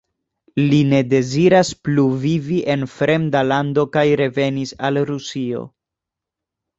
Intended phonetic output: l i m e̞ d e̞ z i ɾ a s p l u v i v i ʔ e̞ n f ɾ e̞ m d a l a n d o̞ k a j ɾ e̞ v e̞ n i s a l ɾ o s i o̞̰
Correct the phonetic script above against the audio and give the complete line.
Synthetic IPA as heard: l i n e̞ d e̞ z i ɾ a s p l u v i v i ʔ e̞ n f ɾ e̞ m d a l a n d o̞ k a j ɾ e̞ v e̞ n i s a l ɾ u s i o̞̰